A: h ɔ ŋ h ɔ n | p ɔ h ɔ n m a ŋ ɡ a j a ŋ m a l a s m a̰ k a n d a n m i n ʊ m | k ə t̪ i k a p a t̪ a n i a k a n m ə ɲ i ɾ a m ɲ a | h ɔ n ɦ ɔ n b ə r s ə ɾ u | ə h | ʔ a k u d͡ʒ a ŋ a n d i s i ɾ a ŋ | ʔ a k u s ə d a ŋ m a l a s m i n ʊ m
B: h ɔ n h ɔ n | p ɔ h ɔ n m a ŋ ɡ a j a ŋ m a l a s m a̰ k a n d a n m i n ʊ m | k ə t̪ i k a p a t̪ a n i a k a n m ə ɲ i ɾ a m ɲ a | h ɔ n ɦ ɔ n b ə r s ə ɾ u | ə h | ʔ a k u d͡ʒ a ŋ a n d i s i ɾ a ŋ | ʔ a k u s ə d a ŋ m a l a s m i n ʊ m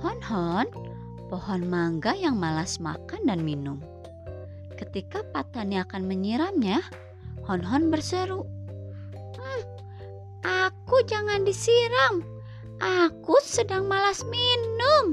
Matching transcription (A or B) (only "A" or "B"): B